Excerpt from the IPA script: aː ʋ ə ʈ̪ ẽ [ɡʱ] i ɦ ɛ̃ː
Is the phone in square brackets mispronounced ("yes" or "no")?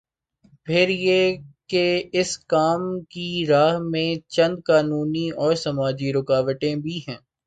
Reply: yes